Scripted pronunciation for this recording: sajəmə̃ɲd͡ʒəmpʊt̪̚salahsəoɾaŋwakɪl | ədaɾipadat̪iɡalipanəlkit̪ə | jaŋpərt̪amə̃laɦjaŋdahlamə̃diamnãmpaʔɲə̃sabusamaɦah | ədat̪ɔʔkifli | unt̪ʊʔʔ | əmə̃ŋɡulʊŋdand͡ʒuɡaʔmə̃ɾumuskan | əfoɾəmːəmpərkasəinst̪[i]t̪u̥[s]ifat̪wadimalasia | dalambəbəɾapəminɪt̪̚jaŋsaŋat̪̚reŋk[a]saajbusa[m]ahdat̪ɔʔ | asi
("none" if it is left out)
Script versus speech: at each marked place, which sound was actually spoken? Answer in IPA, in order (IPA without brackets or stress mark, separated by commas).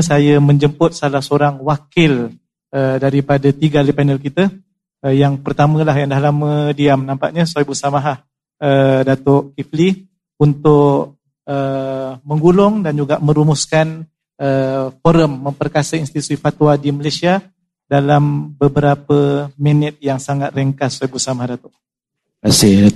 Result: i, s, a, m